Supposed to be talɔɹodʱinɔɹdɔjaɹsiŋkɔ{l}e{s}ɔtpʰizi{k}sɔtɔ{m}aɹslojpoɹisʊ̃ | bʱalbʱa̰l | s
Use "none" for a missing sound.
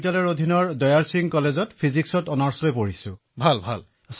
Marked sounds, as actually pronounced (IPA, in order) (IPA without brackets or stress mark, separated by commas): l, z, k, n